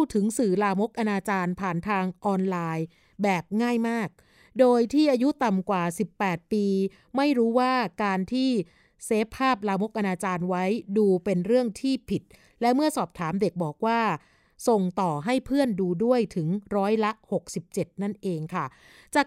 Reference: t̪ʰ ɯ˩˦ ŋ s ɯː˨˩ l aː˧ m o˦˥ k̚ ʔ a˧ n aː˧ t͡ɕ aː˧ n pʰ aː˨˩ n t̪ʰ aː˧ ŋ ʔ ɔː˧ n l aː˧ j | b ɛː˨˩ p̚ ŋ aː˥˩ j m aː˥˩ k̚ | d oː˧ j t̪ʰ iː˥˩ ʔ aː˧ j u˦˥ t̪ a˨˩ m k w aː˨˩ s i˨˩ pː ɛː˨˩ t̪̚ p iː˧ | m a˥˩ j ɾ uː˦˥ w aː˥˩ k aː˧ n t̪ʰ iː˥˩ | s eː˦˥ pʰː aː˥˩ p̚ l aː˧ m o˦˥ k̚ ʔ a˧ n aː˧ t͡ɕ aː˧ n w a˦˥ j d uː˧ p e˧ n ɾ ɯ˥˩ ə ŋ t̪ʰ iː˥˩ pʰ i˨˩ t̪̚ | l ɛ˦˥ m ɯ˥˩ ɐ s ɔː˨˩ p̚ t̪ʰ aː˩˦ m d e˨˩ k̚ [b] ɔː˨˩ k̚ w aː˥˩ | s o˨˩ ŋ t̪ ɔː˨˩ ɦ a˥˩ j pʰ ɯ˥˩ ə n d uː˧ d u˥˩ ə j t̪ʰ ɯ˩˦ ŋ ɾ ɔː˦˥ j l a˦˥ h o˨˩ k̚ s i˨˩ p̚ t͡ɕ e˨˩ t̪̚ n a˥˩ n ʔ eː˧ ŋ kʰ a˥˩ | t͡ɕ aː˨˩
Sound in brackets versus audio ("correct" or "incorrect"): correct